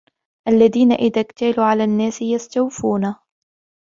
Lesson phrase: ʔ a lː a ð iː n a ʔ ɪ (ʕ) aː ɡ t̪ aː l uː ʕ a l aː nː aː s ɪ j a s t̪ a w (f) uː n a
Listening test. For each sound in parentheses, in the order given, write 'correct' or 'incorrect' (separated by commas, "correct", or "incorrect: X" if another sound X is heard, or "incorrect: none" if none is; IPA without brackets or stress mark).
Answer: incorrect: ð, correct